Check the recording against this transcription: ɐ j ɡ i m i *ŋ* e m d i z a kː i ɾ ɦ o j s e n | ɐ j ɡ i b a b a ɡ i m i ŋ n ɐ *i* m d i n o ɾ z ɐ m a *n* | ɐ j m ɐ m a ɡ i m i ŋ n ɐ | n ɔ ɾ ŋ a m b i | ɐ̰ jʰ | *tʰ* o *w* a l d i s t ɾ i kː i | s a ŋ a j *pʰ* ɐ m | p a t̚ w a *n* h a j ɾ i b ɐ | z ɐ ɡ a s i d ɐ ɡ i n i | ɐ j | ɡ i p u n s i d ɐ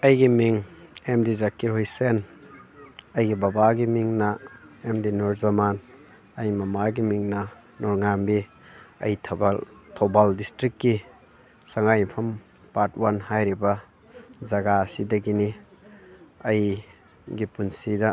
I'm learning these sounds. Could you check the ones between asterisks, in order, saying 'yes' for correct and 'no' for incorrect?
yes, no, yes, yes, no, yes, yes

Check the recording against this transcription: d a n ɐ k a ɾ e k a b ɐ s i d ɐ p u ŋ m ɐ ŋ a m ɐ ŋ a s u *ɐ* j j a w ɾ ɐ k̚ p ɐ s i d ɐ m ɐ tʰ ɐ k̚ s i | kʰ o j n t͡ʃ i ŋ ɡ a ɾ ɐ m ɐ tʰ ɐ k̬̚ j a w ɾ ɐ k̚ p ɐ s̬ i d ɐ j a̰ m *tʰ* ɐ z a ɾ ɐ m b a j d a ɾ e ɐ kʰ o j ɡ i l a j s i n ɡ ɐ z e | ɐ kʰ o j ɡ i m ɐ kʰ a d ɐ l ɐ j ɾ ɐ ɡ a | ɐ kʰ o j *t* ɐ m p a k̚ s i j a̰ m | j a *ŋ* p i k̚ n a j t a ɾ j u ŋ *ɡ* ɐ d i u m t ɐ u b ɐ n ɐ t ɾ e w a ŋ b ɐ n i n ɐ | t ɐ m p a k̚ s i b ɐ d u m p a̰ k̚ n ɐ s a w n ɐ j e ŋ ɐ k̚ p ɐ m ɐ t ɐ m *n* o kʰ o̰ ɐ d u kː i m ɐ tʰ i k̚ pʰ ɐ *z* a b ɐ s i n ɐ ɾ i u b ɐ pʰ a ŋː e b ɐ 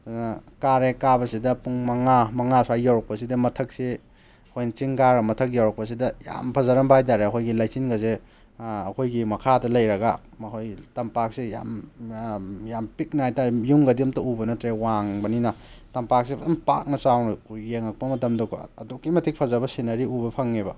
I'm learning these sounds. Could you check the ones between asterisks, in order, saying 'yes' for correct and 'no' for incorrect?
no, no, yes, no, yes, no, yes

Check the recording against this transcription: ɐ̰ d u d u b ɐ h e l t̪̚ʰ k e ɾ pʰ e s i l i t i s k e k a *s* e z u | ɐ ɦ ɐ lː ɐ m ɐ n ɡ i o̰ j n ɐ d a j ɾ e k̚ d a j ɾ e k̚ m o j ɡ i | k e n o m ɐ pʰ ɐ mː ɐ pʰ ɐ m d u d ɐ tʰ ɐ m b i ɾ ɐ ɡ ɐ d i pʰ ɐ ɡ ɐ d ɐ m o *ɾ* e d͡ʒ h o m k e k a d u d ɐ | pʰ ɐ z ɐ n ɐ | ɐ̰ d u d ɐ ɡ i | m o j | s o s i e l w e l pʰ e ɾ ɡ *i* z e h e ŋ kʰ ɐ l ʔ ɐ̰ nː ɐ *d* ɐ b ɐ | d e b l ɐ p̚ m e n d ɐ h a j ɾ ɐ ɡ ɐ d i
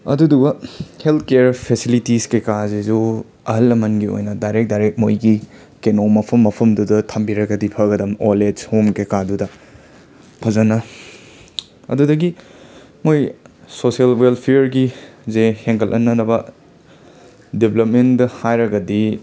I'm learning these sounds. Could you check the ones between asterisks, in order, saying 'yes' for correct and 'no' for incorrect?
no, no, yes, no

